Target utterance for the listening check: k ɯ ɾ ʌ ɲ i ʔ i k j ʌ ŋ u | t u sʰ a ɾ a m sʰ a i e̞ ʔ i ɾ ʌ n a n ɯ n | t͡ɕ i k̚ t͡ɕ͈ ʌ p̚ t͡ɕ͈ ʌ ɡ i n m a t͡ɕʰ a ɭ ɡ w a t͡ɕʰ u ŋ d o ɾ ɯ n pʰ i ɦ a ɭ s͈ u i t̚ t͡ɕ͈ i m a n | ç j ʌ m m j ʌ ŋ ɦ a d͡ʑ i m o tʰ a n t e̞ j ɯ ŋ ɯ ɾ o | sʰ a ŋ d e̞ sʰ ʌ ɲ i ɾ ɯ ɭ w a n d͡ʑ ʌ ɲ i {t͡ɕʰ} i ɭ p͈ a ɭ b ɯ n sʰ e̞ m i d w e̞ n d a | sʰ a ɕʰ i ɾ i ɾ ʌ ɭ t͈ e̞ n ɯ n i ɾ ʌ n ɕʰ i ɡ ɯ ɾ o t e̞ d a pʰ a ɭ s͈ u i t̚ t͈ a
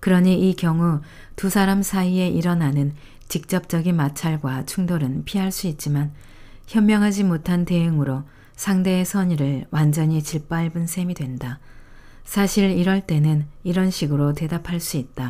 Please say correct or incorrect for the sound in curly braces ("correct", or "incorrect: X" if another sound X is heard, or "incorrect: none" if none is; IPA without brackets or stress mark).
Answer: incorrect: t͡ɕ